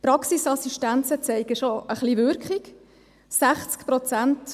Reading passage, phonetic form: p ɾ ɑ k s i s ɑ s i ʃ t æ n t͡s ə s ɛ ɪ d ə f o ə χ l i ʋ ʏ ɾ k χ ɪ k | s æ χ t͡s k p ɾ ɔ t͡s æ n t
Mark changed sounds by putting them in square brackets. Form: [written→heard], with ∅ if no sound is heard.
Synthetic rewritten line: p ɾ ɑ k s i s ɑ s i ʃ t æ n t͡s ə [s→t͡s] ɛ ɪ [d→ɡ] ə [f→ʃ] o ə χ l i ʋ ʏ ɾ k χ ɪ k | s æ χ t͡s k p ɾ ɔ t͡s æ n t